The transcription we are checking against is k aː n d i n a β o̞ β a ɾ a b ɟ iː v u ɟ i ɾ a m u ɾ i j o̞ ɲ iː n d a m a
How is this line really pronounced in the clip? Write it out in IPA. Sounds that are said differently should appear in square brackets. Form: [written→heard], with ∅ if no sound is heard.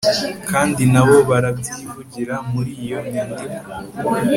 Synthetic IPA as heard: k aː n d i n a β o̞ β a ɾ a b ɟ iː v u ɟ i ɾ a m u ɾ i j o̞ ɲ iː n d [a→i] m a